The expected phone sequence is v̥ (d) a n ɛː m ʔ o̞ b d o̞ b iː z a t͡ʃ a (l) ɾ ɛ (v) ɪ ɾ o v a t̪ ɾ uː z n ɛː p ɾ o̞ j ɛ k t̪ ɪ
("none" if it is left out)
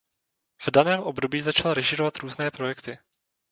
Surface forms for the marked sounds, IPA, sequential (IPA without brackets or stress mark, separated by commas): d, l, ʒ